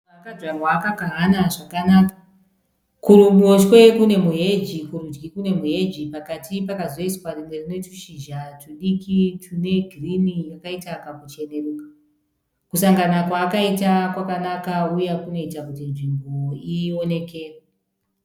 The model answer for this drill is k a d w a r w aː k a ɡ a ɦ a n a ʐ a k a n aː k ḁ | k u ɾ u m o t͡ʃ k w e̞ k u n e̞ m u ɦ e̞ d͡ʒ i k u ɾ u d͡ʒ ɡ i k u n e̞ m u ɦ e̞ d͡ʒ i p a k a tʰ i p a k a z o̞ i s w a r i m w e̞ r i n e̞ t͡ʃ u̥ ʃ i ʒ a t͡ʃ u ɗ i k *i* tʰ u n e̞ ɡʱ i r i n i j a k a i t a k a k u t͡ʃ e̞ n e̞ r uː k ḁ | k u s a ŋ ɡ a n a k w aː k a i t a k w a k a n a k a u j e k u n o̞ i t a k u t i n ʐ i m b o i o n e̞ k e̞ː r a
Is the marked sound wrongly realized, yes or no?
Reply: no